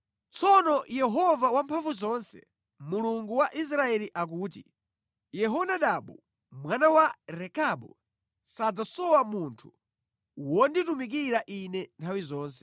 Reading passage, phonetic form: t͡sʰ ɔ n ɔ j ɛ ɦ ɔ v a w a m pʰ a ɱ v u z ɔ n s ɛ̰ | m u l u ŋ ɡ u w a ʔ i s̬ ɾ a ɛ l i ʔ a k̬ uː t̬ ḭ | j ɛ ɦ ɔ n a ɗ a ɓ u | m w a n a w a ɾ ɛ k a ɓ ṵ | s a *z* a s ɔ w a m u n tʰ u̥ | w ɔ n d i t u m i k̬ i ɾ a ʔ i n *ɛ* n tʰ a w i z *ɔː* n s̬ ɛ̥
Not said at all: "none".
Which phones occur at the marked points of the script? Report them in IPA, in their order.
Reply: d͡z, ɛ, ɔː

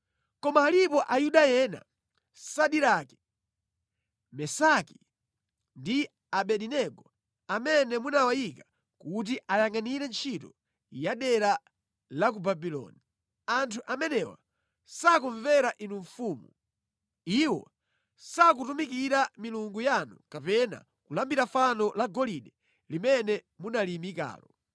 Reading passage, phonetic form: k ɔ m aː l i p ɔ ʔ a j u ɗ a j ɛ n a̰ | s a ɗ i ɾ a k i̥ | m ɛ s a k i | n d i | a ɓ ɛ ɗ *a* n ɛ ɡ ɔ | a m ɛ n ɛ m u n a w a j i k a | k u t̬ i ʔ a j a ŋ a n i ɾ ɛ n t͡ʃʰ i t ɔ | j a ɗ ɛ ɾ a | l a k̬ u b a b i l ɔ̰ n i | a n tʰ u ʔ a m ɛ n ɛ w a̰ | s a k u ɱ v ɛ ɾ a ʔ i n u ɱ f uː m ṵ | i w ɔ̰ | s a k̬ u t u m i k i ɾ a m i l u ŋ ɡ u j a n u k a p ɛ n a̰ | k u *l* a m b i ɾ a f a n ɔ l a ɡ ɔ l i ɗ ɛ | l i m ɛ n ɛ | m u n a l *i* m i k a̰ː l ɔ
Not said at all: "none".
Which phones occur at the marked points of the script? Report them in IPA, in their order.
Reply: i, l, i

